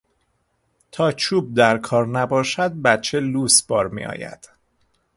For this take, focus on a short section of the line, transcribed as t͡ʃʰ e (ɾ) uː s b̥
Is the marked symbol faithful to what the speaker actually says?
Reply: no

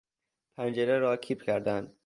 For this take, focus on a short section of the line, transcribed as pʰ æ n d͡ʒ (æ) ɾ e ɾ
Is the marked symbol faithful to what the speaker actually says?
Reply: no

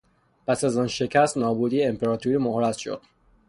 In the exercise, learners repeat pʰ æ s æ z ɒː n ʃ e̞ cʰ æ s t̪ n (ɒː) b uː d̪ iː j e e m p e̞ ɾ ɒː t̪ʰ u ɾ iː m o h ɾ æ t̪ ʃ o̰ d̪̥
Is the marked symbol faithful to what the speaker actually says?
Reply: yes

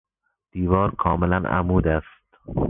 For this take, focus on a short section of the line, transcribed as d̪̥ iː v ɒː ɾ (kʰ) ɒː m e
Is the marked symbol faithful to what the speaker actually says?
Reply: yes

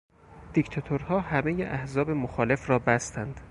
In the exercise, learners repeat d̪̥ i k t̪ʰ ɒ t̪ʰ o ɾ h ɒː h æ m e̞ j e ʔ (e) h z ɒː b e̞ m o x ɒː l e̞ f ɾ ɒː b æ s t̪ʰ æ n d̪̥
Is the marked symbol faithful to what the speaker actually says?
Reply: no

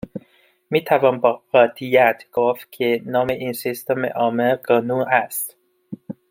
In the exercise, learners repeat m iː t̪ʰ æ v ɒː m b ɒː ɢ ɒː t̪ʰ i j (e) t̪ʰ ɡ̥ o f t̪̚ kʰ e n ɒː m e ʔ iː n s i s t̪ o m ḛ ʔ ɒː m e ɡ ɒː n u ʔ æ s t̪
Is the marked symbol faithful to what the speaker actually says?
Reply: no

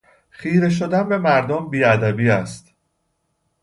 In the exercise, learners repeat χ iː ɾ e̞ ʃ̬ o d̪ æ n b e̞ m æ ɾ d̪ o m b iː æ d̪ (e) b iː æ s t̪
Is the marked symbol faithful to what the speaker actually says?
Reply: no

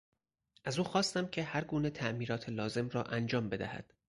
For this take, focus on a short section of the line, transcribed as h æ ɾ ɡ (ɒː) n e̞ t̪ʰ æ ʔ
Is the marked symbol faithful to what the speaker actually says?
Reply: no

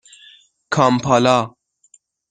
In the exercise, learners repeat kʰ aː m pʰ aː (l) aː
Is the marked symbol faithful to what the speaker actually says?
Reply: yes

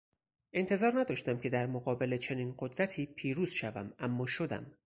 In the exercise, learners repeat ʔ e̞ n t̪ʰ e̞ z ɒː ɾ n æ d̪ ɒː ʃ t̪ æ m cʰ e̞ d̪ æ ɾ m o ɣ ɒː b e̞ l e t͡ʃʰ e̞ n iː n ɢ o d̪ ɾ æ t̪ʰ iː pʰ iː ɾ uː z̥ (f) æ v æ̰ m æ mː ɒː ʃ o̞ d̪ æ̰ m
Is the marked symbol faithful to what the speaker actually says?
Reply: no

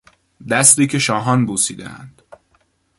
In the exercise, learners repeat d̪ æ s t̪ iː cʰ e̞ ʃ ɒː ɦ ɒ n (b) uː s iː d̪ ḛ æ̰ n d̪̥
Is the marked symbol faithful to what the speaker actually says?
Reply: yes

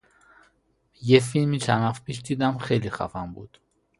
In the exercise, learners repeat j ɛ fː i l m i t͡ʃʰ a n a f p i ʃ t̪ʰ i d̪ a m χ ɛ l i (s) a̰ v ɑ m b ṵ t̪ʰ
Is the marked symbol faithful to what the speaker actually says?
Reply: no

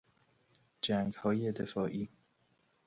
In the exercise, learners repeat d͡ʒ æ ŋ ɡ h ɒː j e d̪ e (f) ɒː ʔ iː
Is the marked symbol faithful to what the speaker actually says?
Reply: yes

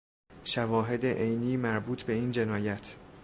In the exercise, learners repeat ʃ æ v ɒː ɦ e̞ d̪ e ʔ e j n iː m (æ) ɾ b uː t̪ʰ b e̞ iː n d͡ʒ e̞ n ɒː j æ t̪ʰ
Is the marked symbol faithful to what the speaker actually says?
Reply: yes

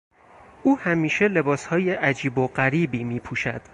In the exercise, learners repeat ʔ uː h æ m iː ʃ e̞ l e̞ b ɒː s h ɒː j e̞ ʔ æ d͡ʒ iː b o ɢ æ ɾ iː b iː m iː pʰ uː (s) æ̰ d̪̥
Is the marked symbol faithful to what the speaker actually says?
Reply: no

